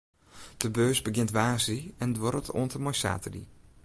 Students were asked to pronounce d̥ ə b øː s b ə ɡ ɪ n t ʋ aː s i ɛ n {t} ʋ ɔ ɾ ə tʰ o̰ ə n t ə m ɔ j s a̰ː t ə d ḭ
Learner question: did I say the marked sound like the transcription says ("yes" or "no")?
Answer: no